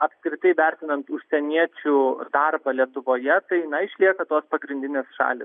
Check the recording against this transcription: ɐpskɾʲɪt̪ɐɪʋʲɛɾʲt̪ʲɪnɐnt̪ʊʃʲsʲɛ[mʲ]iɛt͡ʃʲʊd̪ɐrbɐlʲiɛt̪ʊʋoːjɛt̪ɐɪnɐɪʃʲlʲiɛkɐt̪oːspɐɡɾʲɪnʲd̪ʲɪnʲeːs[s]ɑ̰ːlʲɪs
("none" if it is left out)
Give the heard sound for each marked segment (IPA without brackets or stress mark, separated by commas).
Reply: nʲ, ʃ